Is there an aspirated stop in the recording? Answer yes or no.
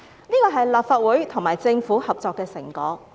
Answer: yes